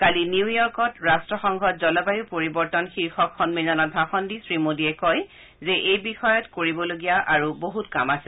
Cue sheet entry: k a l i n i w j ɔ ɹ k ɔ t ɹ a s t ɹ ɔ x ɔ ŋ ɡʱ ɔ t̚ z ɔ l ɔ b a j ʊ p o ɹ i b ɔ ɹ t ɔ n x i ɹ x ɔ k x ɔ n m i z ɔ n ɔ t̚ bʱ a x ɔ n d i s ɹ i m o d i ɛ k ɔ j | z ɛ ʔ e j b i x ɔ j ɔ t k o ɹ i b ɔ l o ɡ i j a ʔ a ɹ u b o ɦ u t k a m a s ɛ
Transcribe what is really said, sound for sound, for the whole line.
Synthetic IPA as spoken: k a l i n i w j ɔ ɹ k ɔ t ɹ a s t ɹ ɔ x ɔ ŋ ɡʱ ɔ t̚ z ɔ l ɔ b a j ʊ p o ɹ i b ɔ ɹ t ɔ n x i ɹ x ɔ k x ɔ n m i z ɔ n ɔ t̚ bʱ a x ɔ n d i s ɹ i m o d i ɛ k ɔ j | z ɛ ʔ e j b i x ɔ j ɔ t k o ɹ i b ɔ l o ɡ i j a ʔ a ɹ u b o ɦ u t k a m a s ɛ